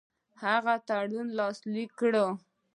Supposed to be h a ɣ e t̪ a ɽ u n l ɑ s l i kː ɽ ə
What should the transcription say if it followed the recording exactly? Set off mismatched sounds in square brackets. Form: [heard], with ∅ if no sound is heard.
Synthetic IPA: h a ɣ [a] t̪ a ɽ u n l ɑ s l i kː ɽ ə